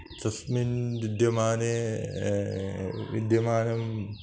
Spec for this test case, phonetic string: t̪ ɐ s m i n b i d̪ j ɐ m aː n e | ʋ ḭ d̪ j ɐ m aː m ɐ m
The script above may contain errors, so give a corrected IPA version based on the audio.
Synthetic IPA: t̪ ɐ s m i n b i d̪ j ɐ m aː n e | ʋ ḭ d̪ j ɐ m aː n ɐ m